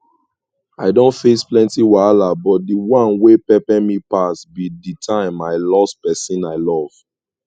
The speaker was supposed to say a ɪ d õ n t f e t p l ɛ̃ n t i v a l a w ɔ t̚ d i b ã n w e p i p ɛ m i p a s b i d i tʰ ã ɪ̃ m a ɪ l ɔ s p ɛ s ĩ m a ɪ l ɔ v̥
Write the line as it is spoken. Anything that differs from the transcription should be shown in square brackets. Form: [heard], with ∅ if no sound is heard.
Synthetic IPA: a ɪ d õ n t f e [s] p l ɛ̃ n t i [w] a l a [b] ɔ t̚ d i [w] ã n w e p [ɛ] p ɛ m i p a s b i d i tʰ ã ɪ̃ m a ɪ l ɔ s p ɛ s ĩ [n] a ɪ l ɔ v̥